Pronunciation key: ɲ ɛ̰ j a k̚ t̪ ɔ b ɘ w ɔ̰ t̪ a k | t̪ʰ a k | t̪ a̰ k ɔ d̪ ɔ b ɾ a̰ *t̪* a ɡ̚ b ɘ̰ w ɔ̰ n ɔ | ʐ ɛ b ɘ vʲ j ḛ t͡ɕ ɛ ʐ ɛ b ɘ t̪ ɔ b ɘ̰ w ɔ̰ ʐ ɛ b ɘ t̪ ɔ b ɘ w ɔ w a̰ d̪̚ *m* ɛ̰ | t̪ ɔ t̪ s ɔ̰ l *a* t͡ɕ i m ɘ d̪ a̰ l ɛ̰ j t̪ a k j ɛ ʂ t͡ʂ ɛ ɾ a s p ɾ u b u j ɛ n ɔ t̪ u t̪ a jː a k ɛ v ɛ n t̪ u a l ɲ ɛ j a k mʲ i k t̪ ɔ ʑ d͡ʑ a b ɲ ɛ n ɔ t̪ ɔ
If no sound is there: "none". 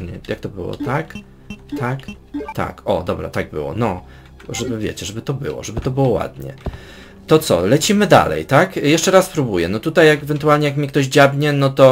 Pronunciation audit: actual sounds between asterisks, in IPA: t̪, ɲ, ɛ

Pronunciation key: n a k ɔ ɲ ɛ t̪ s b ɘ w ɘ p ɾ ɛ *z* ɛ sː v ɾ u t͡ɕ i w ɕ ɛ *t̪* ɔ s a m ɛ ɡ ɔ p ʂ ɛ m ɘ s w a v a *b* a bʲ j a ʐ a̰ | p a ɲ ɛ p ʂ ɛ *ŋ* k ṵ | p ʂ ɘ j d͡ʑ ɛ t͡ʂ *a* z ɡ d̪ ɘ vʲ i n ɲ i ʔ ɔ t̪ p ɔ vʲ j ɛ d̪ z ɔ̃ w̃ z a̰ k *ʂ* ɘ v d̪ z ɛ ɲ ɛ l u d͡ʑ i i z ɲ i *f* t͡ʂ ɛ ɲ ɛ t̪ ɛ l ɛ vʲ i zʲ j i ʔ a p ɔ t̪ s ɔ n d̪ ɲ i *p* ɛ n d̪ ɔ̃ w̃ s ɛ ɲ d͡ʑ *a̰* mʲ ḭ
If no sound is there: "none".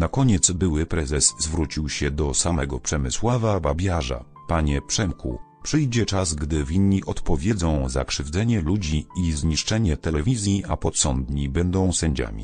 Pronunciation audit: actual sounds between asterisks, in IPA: z, d̪, b, m, a, ʂ, ʂ, b, a̰

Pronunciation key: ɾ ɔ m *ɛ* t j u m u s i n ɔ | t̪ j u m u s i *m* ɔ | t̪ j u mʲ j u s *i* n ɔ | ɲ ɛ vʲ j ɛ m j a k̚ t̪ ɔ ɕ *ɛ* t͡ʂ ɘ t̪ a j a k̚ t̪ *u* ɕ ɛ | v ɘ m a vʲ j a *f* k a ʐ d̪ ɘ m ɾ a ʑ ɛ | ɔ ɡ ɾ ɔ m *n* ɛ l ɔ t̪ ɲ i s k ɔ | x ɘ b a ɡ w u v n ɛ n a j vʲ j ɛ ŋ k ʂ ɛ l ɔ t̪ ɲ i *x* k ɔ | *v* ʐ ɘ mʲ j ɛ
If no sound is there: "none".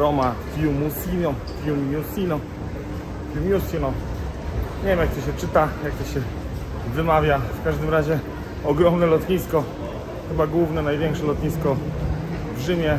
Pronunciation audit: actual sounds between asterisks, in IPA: a, n, i, ɛ, ɔ, f, n, s, v

